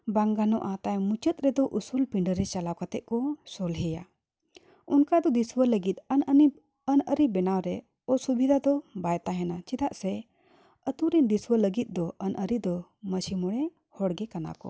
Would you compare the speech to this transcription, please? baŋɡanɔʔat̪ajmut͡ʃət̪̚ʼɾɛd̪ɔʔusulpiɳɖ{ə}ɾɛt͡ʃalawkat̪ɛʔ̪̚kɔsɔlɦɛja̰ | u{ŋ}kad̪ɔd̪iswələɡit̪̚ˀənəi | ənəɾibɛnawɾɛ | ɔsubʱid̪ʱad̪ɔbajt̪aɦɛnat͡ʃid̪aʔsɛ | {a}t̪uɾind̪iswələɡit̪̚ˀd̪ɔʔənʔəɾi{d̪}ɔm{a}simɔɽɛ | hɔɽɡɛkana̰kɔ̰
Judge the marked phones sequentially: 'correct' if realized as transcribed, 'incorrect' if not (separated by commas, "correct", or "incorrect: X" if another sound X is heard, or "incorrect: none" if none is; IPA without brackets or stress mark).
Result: correct, incorrect: n, incorrect: ə, correct, incorrect: ə